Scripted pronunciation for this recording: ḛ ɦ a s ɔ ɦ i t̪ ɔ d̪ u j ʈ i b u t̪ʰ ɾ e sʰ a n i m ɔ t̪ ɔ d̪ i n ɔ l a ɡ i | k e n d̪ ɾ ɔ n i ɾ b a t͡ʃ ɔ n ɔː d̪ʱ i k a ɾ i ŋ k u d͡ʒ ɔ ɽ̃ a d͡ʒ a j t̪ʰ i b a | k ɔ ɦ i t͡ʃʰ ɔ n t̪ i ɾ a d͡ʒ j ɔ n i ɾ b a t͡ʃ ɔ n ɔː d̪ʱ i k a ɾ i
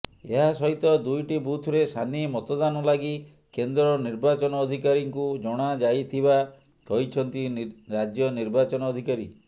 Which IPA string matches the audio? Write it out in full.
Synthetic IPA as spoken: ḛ ɦ a s ɔ ɦ i t̪ ɔ d̪ u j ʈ i b u t̪ʰ ɾ e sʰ a n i m ɔ t̪ ɔ d̪ a n ɔ l a ɡ i | k e n d̪ ɾ ɔ n i ɾ b a t͡ʃ ɔ n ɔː d̪ʱ i k a ɾ i ŋ k u d͡ʒ ɔ ɽ̃ a d͡ʒ a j t̪ʰ i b a | k ɔ ɦ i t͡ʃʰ ɔ n t̪ i ɾ a d͡ʒ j ɔ n i ɾ b a t͡ʃ ɔ n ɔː d̪ʱ i k a ɾ i

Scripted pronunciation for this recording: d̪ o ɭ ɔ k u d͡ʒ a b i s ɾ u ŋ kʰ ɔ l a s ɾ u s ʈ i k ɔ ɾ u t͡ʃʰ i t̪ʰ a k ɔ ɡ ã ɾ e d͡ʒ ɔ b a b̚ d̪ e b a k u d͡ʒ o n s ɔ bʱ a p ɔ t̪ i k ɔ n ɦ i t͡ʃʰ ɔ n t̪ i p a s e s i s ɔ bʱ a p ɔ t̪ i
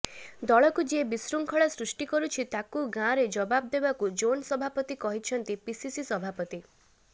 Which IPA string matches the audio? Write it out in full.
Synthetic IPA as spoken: d̪ ɔ ɭ ɔ k u d͡ʒ e b i s ɾ u ŋ kʰ ɔ ɭ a s ɾ u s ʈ i k ɔ ɾ u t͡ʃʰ i t̪ a k u ɡ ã ɾ e d͡ʒ ɔ b a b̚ d̪ e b a k u d͡ʒ o n s ɔ bʱ a p ɔ t̪ i k ɔ ɦ i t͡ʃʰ ɔ n t̪ i p i s i s i s ɔ bʱ a p ɔ t̪ i

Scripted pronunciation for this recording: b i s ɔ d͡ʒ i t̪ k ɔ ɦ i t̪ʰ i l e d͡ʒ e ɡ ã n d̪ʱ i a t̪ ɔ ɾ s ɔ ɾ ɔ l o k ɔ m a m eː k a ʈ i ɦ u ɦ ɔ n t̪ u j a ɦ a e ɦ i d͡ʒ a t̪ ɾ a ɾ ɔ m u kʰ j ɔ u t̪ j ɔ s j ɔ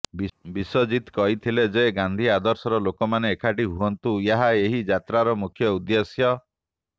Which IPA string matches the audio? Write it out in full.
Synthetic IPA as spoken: b i s ɔ d͡ʒ i t̪ k ɔ ɦ i t̪ʰ i l e d͡ʒ e ɡ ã n d̪ʱ i a d̪ ɔ ɾ s ɔ ɾ ɔ l o k ɔ m a n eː kʰ a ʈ i ɦ u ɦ ɔ n t̪ u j a ɦ a e ɦ i d͡ʒ a t̪ ɾ a ɾ ɔ m u kʰ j ɔ u d̪ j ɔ s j ɔ

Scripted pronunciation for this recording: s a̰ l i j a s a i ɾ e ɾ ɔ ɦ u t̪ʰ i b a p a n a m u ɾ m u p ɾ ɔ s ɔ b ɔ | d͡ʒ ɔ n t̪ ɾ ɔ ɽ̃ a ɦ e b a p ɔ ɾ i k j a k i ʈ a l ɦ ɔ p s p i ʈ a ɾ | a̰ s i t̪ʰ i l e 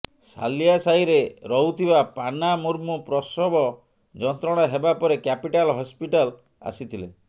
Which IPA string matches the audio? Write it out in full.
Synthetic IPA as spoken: s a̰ l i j a s a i ɾ e ɾ ɔ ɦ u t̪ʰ i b a p a n a m u ɾ m u p ɾ ɔ s ɔ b ɔ | d͡ʒ ɔ n t̪ ɾ ɔ ɽ̃ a ɦ e b a p ɔ ɾ e k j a p i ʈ a l ɦ ɔ s p i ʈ a l | a̰ s i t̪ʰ i l e

